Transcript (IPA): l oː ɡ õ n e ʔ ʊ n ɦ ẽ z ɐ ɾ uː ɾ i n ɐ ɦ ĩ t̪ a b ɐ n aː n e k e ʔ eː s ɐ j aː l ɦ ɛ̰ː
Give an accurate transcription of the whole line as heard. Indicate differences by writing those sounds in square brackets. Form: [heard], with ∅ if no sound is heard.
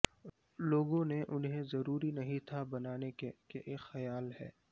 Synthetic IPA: l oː ɡ õ n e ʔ ʊ n ɦ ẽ z ɐ ɾ uː ɾ i n ɐ ɦ ĩ [t̪ʰ] a b ɐ n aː n e k e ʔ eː [x] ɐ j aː l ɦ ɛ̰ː